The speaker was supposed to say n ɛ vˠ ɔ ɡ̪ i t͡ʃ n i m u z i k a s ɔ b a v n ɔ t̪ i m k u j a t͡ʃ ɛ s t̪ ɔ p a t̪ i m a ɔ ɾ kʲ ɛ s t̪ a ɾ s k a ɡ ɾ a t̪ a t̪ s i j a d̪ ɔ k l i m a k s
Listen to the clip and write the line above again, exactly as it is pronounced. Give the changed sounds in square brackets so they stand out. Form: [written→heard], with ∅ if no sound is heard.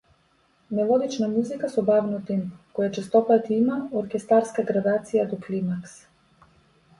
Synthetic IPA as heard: n ɛ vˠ ɔ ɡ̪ i t͡ʃ n [i→a] m u z i k a s ɔ b a v n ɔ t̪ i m k [u→ɔ] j a t͡ʃ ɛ s t̪ ɔ p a t̪ i m a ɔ ɾ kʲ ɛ s t̪ a ɾ s k a ɡ ɾ a [t̪→d̪] a t̪ s i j a d̪ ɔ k l i m a k s